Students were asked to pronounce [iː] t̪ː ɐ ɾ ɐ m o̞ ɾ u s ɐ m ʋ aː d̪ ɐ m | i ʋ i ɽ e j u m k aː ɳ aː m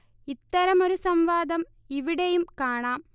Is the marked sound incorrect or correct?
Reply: incorrect